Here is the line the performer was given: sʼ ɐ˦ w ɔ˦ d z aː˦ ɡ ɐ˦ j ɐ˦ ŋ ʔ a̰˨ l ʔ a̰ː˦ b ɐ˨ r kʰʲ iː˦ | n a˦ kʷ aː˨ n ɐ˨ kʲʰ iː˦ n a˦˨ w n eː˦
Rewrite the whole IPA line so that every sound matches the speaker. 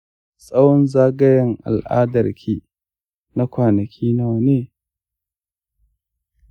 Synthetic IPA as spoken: sʼ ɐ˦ w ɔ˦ n z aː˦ ɡ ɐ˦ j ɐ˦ ŋ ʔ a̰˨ l ʔ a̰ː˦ d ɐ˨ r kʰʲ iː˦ | n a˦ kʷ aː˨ n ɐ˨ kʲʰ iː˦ n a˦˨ w n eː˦